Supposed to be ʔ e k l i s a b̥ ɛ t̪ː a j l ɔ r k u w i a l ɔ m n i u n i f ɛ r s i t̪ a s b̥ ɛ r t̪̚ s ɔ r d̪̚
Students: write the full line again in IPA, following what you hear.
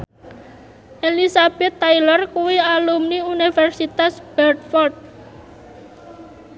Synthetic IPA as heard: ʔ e l i s a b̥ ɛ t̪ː a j l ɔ r k u w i a l u m n i u n i f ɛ r s i t̪ a s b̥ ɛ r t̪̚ f ɔ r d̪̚